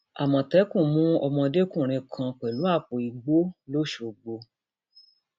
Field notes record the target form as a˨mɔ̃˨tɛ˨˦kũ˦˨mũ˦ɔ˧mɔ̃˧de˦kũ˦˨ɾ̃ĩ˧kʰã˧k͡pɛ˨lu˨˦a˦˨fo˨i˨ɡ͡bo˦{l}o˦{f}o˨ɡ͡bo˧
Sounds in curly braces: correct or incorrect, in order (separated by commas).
correct, incorrect